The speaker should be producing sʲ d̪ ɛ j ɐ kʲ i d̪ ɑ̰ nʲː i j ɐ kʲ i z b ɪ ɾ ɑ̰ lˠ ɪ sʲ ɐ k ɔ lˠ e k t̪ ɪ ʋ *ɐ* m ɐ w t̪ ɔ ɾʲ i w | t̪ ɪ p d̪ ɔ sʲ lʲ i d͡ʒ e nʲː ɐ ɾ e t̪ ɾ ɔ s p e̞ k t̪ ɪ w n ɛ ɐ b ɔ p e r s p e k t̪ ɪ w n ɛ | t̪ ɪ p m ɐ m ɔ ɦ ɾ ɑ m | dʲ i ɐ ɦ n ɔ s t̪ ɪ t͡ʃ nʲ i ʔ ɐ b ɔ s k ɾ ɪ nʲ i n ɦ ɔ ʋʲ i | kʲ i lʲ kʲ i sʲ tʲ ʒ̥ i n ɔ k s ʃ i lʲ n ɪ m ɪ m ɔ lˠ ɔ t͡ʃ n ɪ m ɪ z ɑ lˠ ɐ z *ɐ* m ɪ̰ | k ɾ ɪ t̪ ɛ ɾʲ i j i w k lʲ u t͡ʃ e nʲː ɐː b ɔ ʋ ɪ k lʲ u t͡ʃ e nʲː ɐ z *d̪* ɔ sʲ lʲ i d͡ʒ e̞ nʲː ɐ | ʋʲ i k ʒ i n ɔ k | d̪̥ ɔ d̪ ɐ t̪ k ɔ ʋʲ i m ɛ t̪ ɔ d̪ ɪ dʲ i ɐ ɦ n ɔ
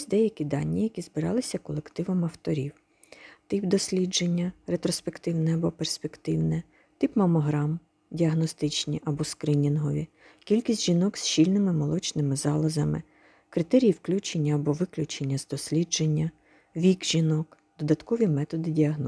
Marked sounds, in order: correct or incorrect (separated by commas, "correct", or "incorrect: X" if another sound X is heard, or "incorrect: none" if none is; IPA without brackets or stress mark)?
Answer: correct, correct, correct